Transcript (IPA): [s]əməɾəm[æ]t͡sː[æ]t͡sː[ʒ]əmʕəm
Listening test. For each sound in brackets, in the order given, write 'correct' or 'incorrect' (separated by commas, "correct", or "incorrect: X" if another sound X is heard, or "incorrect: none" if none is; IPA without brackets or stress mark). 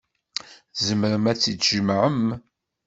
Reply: incorrect: z, correct, incorrect: i, correct